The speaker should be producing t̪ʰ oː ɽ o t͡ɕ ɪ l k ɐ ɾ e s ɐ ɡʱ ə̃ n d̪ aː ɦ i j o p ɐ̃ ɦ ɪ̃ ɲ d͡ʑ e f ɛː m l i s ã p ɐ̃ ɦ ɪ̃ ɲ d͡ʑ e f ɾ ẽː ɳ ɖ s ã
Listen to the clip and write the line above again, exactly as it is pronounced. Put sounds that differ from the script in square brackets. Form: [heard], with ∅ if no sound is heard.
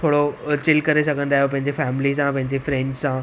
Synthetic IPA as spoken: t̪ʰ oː ɽ o t͡ɕ ɪ l k ɐ ɾ e s ɐ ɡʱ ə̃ n d̪ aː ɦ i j o p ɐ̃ ɦ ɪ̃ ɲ d͡ʑ e f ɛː m l i s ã p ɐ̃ ɦ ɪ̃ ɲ d͡ʑ e f ɾ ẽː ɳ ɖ s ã